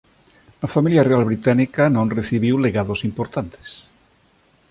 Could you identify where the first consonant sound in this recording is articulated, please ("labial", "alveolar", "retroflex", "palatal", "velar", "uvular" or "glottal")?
labial